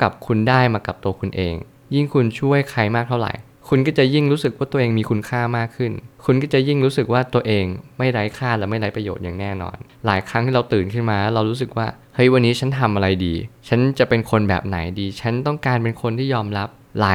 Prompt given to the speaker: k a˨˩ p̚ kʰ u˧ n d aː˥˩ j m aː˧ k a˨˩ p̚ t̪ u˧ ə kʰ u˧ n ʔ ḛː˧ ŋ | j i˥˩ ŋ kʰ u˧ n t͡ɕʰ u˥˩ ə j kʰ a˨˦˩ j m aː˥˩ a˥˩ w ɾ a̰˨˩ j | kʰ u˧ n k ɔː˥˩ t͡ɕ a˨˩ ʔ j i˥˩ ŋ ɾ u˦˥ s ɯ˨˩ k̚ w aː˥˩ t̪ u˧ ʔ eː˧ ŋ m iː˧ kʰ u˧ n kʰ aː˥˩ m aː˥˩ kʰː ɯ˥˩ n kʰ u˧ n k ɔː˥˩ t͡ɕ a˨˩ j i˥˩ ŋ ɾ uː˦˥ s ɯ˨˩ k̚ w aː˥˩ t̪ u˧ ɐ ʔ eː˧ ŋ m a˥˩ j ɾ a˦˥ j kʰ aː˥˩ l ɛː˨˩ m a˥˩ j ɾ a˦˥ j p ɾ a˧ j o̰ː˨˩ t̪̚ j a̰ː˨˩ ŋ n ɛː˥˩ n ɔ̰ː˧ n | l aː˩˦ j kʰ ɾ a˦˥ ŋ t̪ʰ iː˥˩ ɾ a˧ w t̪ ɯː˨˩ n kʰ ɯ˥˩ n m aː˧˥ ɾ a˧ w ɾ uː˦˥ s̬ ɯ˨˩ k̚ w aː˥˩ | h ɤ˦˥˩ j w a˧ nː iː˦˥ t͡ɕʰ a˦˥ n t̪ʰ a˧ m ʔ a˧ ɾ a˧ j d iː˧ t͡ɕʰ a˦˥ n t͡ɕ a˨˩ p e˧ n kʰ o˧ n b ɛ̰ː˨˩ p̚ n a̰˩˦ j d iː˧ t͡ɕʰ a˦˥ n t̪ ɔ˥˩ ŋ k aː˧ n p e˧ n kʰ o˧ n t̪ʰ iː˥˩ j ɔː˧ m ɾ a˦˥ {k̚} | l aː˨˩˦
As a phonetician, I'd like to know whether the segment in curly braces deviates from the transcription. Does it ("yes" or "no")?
yes